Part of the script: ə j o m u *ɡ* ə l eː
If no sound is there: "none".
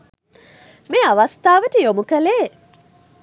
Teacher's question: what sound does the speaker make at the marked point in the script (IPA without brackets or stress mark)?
k